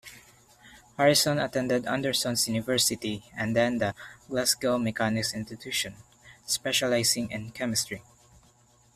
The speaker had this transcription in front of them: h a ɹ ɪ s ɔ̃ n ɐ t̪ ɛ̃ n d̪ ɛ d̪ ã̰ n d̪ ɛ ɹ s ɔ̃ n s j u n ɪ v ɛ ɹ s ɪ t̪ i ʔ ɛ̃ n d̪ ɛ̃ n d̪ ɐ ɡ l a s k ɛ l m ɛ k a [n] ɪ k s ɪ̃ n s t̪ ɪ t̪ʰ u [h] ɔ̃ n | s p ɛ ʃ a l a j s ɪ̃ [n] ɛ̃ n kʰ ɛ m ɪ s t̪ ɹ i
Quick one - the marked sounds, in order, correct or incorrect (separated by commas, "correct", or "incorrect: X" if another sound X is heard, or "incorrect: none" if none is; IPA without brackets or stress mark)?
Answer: correct, incorrect: ʃ, incorrect: ŋ